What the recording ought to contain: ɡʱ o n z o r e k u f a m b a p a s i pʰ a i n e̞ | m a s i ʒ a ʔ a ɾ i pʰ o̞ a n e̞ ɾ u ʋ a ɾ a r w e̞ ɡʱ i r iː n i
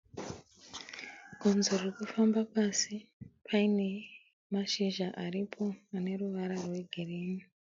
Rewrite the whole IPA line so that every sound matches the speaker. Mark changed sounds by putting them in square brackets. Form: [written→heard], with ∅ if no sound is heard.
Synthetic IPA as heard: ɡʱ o n z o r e k u f a m b a p a s i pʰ a i n e̞ | m a [s→ʃ] i ʒ a ʔ a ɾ i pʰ o̞ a n e̞ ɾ u ʋ a ɾ a r w e̞ ɡʱ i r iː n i

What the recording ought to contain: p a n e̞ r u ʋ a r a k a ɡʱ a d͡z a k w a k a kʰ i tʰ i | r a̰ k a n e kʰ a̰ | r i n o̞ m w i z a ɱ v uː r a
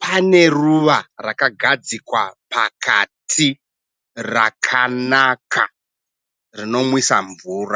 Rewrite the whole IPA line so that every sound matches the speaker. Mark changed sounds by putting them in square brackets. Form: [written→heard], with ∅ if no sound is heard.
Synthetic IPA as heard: p a n e̞ r u ʋ a r a k a ɡʱ a d͡z [a→i] k w a [k→p] a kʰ [i→a] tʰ i | r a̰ [k→kʰ] a n [e→a] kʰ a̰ | r i n o̞ m w i [z→s] a ɱ v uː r a

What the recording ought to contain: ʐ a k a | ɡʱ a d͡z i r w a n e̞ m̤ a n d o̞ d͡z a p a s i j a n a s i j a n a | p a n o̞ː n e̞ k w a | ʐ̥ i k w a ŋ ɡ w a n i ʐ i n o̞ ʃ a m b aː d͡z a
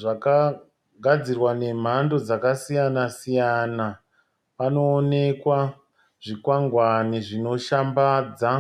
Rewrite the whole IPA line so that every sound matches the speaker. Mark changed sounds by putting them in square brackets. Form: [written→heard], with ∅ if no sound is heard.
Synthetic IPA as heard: ʐ a k a | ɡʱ a d͡z i r w a n e̞ m̤ a n d o̞ d͡z a [p→k] a s i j a n a s i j a n a | p a n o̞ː n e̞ k w a | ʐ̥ i k w a ŋ ɡ w a n i ʐ i n o̞ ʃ a m b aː d͡z a

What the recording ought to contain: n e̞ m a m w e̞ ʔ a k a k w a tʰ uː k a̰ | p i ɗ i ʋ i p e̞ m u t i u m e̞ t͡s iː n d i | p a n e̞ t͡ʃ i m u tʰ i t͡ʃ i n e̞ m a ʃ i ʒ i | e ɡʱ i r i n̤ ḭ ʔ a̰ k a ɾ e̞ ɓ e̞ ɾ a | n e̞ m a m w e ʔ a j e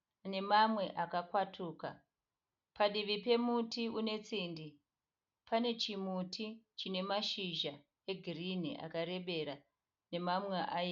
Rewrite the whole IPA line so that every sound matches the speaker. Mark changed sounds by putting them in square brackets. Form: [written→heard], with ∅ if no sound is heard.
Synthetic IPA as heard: n e̞ m a m w e̞ ʔ a k a k w a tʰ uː k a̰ | p [i→a] ɗ i ʋ i p e̞ m u t i u [m→n] e̞ t͡s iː n d i | p a n e̞ t͡ʃ i m u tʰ i t͡ʃ i n e̞ m a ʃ i ʒ [i→a] | e ɡʱ i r i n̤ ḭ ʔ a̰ k a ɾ e̞ ɓ e̞ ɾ a | n e̞ m a m w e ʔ a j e

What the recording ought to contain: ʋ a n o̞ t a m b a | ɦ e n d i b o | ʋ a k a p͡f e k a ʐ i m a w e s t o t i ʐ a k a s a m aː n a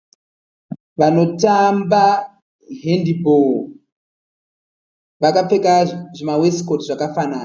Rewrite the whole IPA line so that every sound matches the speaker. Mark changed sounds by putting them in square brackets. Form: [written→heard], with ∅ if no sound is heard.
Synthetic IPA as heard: ʋ a n o̞ t a m b a | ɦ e n d i b o | ʋ a k a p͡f e k a ʐ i m a w e s [t→k] o t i ʐ a k a [s→f] a [m→n] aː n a

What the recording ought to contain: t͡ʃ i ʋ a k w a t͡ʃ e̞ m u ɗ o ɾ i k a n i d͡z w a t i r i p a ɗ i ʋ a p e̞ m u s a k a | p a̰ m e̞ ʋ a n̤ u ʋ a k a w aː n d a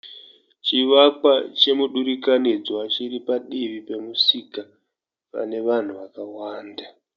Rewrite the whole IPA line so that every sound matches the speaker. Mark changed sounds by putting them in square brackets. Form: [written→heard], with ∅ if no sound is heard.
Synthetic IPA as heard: t͡ʃ i ʋ a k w a t͡ʃ e̞ m u ɗ [o→u] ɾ i k a n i d͡z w a [t→t͡ʃ] i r i p a ɗ i ʋ [a→i] p e̞ m u s [a→i] k a | p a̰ [m→n] e̞ ʋ a n̤ u ʋ a k a w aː n d a

